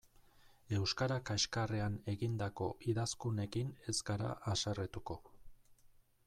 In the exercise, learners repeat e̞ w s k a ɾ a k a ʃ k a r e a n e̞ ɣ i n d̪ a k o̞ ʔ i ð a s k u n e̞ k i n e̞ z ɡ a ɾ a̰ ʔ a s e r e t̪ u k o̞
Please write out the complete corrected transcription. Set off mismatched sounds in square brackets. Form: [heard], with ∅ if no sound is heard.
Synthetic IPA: e̞ w s k a ɾ a k a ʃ k a r e a n e̞ ɣ i n d̪ a k o̞ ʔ i ð a s k u n e̞ k i n e̞ z ɡ a ɾ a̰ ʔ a s [a] r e t̪ u k o̞